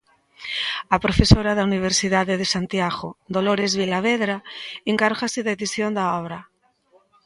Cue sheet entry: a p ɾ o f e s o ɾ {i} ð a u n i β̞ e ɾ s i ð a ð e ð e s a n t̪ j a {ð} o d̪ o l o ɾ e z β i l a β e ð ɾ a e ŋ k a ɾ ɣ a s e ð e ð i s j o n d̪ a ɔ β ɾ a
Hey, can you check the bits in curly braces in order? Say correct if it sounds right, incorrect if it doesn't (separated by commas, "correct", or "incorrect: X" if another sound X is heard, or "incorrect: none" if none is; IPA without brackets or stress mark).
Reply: incorrect: a, incorrect: ɣ